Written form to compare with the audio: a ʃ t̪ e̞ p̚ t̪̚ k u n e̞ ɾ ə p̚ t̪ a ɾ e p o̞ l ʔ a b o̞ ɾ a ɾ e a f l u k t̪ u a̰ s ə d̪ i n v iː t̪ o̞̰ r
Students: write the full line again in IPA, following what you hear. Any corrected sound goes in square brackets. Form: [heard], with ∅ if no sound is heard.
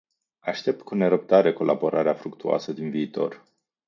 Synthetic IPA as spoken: a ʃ t̪ e̞ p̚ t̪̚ k u n e̞ ɾ ə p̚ t̪ a ɾ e [k] o̞ l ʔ a b o̞ ɾ a ɾ e a f [ɾ] u k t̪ u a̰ s ə d̪ i n v iː t̪ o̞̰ r